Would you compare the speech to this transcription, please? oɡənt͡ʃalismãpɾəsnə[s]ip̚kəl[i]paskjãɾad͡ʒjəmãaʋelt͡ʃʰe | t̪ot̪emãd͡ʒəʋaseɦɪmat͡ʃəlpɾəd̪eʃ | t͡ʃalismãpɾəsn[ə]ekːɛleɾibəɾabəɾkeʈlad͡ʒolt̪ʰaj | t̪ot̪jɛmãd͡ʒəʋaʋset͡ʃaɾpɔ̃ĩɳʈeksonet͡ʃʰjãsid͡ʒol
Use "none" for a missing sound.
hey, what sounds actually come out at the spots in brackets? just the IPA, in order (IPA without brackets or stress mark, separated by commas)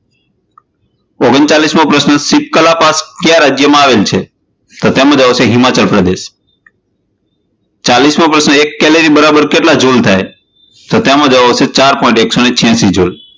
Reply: s, a, ə